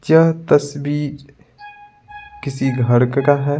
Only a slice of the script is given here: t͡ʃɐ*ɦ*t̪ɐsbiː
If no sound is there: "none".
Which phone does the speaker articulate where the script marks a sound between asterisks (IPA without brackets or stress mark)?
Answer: ɦ